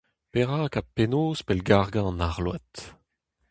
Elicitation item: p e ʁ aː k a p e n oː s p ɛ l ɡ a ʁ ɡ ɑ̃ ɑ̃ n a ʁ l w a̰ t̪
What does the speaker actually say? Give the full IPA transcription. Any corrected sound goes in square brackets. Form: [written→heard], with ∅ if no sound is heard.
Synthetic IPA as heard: p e ʁ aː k a p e n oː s p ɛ l ɡ a ʁ ɡ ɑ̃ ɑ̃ n a ʁ l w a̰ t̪